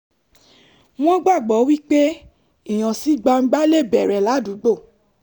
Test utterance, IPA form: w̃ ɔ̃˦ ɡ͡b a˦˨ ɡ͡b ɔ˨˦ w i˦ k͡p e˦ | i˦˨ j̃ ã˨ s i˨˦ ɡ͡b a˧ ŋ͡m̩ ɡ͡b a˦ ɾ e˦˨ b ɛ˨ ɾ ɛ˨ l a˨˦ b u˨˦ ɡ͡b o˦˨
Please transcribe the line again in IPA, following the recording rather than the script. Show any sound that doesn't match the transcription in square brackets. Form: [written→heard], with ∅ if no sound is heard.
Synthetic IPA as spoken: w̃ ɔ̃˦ ɡ͡b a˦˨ ɡ͡b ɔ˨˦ w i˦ k͡p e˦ | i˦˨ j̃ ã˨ s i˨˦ ɡ͡b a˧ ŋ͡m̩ ɡ͡b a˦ [ɾ→l] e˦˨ b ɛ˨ ɾ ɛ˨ l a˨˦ [b→d] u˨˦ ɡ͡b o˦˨